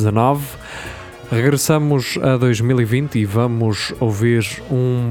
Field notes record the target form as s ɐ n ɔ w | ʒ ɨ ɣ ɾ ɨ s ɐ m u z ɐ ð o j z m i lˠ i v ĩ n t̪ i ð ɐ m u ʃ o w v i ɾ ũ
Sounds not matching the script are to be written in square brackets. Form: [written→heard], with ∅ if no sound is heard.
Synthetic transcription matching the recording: [s→z] ɐ n ɔ [w→v] | [ʒ→ʁ] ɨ ɣ ɾ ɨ s ɐ m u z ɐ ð o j [z→ʒ] m i lˠ i v ĩ n t̪ i [ð→v] ɐ m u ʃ o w v i ɾ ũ